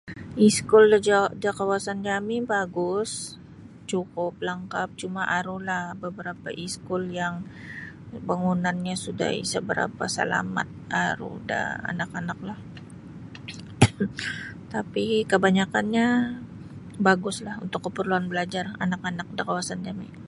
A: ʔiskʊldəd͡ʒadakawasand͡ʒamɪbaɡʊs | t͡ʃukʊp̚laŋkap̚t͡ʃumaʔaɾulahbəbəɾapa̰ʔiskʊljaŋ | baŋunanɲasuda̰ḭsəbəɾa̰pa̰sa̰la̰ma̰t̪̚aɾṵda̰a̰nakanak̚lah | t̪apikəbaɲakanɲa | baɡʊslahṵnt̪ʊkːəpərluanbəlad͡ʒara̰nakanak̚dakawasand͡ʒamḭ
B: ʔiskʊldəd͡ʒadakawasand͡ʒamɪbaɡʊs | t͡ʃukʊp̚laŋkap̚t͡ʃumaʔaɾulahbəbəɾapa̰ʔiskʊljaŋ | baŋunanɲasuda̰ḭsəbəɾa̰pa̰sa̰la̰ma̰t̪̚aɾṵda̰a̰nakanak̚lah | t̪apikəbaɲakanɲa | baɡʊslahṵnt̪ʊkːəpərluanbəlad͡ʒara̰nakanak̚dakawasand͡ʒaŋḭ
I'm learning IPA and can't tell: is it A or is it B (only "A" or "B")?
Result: A